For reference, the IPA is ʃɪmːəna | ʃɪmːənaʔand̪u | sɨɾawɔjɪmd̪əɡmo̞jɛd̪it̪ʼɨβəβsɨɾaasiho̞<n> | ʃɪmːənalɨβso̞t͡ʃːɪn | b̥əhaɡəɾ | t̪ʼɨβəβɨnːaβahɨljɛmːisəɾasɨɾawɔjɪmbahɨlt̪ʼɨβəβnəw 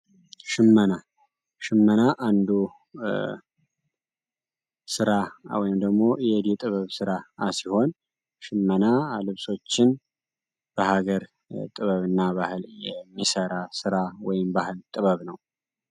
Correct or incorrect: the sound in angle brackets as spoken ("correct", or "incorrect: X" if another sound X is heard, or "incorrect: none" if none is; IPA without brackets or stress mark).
correct